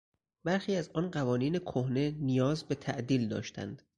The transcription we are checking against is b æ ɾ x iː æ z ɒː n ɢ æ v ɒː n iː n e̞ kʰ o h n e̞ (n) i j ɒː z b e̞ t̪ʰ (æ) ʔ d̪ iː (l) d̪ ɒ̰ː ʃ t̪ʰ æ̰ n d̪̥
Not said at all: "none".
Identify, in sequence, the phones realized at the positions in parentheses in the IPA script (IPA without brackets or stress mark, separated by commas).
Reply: n, æ, l